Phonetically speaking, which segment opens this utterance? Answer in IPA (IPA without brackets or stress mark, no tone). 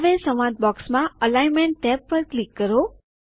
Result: ʋ